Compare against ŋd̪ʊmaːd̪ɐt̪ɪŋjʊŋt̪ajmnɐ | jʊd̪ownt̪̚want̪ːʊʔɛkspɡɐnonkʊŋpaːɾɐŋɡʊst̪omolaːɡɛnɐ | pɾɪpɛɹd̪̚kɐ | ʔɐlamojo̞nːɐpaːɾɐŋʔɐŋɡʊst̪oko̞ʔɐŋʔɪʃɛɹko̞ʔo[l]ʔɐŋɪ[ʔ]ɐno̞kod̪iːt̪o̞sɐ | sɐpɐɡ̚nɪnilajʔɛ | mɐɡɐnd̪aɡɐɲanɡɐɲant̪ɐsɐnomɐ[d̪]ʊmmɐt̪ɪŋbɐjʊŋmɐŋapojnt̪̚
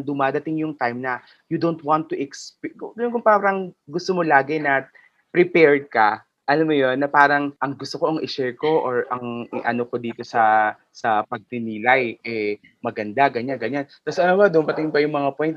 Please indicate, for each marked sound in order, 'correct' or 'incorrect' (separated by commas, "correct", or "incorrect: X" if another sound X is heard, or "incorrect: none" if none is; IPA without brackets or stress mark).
incorrect: ɹ, correct, correct